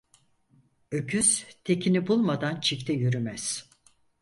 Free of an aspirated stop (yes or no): no